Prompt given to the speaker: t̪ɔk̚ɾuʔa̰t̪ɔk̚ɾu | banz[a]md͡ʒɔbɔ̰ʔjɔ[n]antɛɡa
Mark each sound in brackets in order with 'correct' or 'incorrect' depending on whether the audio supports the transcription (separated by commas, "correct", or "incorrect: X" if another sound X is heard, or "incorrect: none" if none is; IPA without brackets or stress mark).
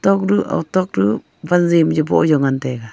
incorrect: i, incorrect: ŋ